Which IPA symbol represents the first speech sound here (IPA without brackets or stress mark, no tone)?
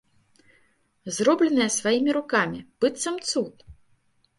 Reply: z